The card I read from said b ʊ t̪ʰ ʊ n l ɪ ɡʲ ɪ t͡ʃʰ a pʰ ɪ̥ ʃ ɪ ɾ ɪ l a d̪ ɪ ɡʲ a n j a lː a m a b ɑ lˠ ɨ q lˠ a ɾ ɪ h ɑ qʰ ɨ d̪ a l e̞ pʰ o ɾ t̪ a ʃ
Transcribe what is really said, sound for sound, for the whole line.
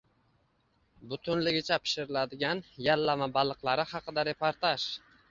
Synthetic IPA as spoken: b ʊ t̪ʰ ʊ n l ɪ ɡʲ ɪ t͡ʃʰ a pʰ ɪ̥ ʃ ɪ ɾ ɪ l a d̪ ɪ ɡʲ a n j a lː a m a b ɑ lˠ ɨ q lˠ a ɾ ɪ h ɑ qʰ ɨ d̪ a ɾ e̞ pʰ o ɾ t̪ a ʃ

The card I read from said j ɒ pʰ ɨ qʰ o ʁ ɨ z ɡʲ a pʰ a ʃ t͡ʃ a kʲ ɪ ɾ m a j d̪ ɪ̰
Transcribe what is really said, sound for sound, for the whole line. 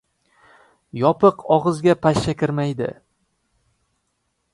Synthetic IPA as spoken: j ɒ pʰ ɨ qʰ ɒ ʁ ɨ z ɡʲ a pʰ a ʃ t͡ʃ a kʲ ɪ ɾ m a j d̪ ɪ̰

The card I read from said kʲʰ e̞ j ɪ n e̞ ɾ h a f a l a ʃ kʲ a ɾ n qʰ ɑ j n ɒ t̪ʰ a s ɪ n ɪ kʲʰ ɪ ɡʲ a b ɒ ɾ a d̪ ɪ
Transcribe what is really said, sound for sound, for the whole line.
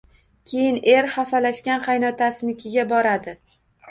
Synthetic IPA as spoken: kʲʰ e̞ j ɪ n e̞ ɾ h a f a l a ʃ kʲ a n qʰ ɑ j n ɒ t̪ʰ a s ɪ n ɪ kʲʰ ɪ ɡʲ a b ɒ ɾ a d̪ ɪ

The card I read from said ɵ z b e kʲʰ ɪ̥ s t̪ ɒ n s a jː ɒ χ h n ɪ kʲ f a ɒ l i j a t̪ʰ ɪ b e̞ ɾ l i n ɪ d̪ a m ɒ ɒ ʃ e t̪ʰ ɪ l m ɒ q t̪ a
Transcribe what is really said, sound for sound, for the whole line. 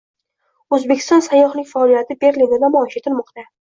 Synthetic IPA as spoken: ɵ z b e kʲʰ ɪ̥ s t̪ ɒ n s a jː ɒ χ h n ɪ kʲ f a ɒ l i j a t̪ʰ ɪ b e̞ ɾ l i n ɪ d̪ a m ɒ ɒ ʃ e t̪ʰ ɪ l m ɒ q t̪ a

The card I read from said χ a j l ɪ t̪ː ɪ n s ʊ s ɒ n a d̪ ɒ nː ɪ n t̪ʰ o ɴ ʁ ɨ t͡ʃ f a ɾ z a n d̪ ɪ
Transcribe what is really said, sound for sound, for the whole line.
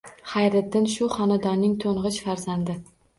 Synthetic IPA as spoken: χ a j ɾ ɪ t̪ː ɪ n ʃ ʊ χ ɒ n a d̪ ɒ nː ɪ ŋ t̪ʰ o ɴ ʁ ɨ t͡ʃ f a ɾ z a n d̪ ɪ

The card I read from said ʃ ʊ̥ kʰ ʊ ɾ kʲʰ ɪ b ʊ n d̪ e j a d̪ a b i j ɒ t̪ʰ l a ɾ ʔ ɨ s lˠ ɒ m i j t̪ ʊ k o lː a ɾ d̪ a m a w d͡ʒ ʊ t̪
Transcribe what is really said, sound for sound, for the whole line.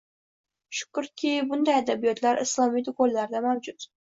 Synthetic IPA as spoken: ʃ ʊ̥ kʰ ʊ ɾ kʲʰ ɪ b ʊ n d̪ a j a d̪ a b i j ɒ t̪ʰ l a ɾ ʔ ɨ s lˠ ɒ m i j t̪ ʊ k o lː a ɾ d̪ a m a w d͡ʒ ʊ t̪

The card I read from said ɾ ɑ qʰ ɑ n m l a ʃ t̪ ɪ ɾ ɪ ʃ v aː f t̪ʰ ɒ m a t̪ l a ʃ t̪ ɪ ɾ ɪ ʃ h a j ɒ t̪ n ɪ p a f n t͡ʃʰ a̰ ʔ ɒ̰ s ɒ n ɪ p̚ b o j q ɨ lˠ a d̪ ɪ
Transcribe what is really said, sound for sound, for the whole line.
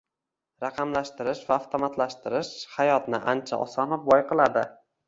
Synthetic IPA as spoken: ɾ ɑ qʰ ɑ m l a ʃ t̪ ɪ ɾ ɪ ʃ v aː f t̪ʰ o m a t̪ l a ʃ t̪ ɪ ɾ ɪ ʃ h a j ɒ t̪ n ɪ ʔ a n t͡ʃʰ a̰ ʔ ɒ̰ s ɒ n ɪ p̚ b ɒ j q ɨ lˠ a d̪ ɪ

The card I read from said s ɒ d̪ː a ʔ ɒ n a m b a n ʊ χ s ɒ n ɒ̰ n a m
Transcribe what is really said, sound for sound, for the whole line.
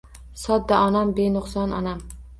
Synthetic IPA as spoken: s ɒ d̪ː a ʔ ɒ n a m b e n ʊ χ s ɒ n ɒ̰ n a m

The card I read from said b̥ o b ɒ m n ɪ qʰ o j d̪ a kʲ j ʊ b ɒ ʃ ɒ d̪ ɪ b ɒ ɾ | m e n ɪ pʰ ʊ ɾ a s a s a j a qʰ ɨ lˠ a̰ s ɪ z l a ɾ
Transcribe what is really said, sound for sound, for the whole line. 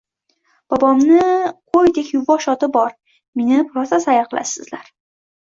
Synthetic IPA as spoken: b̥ ɒ b ɒ m n ɪ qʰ o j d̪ e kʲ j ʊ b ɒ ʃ ɒ t̪ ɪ b ɒ ɾ | m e n ɪ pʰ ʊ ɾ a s a s a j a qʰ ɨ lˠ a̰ s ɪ z l a ɾ

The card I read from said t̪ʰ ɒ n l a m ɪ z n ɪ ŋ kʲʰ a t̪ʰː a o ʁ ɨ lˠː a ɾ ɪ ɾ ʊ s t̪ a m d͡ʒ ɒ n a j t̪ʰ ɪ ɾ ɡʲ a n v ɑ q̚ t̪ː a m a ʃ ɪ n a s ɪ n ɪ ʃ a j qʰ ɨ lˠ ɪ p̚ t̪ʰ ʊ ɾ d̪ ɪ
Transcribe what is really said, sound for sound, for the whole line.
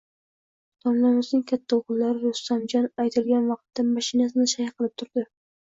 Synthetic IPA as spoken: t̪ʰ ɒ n l a m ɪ z n ɪ ŋ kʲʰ a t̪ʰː a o ʁ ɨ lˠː a ɾ ɪ ɾ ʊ s t̪ a m d͡ʒ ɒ n a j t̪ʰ ɪ l ɡʲ a n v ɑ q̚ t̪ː a m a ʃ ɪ n a s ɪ n ɪ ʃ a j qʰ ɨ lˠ ɪ p̚ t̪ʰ ʊ ɾ d̪ ɪ

